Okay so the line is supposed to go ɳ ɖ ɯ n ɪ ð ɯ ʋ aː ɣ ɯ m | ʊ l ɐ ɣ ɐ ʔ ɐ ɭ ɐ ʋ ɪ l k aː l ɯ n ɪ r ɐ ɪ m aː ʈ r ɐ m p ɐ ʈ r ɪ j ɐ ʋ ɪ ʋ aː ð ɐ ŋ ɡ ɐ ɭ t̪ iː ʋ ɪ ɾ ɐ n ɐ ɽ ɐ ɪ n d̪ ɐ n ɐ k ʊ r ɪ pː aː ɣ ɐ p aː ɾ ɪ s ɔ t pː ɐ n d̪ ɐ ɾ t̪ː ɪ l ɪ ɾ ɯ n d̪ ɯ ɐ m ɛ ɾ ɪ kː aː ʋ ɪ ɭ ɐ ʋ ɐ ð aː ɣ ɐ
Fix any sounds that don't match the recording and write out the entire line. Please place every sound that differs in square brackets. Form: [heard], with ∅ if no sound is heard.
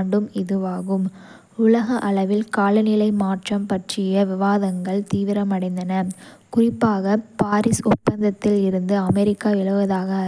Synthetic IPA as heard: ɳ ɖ ɯ [m] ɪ ð ɯ ʋ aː ɣ ɯ m | ʊ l ɐ ɣ ɐ ʔ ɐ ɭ ɐ ʋ ɪ l k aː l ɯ n ɪ [l] ɐ ɪ m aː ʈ r ɐ m p ɐ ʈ r ɪ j ɐ ʋ ɪ ʋ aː ð ɐ ŋ ɡ ɐ ɭ t̪ iː ʋ ɪ ɾ ɐ [m] ɐ ɽ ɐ ɪ n d̪ ɐ n ɐ k ʊ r ɪ pː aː ɣ ɐ p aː ɾ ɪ s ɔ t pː ɐ n d̪ ɐ [∅] t̪ː ɪ l ɪ ɾ ɯ n d̪ ɯ ɐ m ɛ ɾ ɪ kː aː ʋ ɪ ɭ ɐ ʋ ɐ ð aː ɣ ɐ